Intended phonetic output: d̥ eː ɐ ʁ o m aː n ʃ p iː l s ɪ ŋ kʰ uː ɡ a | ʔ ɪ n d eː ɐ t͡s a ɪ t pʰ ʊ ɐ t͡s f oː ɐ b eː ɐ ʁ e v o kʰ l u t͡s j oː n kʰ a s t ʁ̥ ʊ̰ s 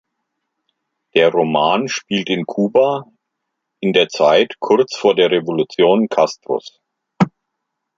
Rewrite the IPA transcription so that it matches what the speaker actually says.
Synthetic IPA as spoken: d̥ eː ɐ ʁ o m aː n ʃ p iː l t ɪ n kʰ uː b a | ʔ ɪ n d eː ɐ t͡s a ɪ t kʰ ʊ ɐ t͡s f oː ɐ d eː ɐ ʁ e v o l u t͡s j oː n kʰ a s t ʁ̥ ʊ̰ s